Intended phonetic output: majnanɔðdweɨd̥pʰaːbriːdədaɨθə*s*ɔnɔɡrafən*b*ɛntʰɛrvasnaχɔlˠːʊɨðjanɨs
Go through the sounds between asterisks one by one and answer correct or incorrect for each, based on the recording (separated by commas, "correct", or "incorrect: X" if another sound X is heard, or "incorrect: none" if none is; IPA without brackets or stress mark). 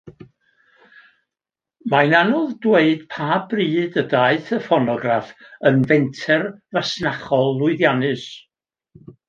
incorrect: f, incorrect: v